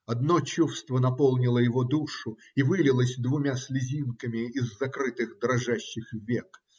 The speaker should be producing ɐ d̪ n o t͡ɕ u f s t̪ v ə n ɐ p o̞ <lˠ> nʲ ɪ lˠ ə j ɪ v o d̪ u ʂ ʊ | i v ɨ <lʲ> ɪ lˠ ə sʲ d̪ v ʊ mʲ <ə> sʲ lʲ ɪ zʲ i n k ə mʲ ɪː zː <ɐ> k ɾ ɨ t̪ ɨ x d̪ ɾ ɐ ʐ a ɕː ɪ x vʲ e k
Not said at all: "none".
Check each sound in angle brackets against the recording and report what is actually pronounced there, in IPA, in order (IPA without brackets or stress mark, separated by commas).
lˠ, lʲ, a, ɐ